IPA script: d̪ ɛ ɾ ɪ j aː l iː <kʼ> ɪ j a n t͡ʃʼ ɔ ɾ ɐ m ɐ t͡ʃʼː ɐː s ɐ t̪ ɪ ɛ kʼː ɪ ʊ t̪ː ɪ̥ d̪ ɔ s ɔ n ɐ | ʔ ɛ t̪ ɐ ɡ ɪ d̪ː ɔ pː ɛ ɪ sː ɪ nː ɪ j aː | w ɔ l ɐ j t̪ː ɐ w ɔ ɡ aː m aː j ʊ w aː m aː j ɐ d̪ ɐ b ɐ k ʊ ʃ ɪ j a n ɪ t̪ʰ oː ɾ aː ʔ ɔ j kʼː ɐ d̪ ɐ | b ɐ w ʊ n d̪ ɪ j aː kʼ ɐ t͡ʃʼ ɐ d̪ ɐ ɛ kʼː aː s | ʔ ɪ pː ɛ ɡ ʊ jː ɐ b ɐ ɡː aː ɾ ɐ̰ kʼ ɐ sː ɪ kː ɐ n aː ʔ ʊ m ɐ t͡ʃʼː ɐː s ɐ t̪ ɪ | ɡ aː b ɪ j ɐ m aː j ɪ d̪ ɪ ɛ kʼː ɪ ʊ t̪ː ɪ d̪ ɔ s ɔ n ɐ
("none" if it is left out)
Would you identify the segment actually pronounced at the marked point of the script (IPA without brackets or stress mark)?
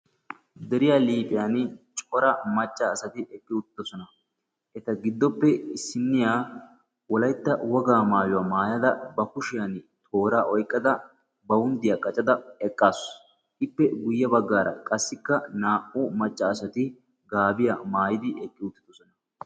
pʼ